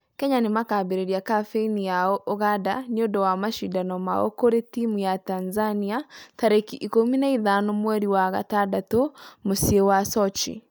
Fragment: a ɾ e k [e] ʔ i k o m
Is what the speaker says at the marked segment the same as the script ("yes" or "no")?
no